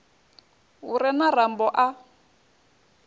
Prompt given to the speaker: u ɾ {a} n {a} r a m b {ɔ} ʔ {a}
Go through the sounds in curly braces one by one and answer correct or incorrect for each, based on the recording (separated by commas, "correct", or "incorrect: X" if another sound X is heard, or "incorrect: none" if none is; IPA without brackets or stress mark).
incorrect: ɛ, correct, correct, correct